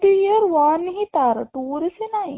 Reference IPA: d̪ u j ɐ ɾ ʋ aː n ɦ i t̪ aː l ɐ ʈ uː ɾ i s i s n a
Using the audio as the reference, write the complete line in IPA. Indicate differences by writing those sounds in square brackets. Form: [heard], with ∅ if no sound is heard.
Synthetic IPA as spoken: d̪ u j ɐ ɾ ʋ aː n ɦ i t̪ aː [ɾ] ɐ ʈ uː ɾ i s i [∅] n a